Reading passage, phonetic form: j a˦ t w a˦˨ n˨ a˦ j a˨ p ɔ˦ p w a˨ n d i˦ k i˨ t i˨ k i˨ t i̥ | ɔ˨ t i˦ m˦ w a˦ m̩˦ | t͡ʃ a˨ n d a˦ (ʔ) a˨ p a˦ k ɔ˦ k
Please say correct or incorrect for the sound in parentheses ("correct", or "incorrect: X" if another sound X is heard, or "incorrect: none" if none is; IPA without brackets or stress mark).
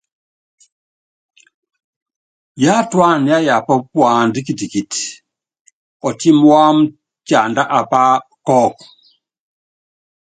correct